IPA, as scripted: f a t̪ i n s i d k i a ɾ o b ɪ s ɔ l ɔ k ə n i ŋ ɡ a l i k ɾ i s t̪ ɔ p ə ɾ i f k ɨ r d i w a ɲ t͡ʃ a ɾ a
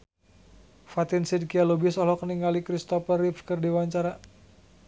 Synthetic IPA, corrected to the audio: f a t̪ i n s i d k i a l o b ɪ s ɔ l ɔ k ə n i ŋ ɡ a l i k ɾ i s t̪ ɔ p ə r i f k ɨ r d i w a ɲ t͡ʃ a ɾ a